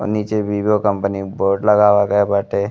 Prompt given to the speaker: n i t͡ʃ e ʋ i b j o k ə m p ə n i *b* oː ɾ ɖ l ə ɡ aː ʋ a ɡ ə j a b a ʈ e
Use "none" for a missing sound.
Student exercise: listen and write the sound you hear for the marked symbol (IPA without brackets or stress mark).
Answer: b